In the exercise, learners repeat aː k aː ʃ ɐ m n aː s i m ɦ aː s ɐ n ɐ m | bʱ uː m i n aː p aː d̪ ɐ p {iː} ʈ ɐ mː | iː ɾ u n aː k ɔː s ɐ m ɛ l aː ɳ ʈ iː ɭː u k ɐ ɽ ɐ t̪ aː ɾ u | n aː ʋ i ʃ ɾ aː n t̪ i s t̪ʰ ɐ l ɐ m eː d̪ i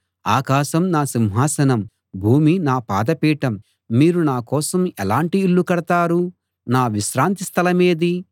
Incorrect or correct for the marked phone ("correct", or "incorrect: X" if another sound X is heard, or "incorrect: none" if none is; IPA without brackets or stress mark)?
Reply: correct